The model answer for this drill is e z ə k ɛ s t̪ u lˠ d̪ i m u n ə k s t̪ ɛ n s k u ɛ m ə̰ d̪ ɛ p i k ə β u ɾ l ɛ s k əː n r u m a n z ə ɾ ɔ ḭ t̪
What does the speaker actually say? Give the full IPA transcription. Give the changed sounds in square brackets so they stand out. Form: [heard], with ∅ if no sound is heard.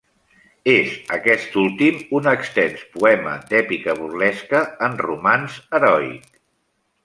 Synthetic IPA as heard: e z ə k ɛ s t̪ u lˠ [t̪] i m u n ə k s t̪ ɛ n s [p] u ɛ m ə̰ d̪ ɛ p i k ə β u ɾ l ɛ s k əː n r u m a n z ə ɾ ɔ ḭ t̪